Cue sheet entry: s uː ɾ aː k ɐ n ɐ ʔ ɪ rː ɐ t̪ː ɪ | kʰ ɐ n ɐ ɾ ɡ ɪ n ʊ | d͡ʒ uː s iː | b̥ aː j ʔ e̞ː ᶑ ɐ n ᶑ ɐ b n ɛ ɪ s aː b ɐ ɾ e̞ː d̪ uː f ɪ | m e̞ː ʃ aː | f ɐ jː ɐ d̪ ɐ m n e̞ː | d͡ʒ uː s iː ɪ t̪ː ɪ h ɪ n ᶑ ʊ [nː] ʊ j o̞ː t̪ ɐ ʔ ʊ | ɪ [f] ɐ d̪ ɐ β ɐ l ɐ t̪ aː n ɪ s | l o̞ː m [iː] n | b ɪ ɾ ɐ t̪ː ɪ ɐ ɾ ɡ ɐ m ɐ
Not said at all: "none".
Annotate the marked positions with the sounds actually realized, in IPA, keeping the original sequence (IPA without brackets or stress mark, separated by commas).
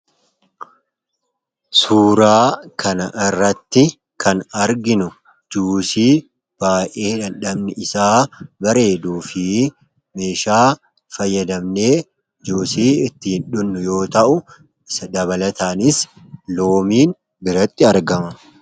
nː, s, iː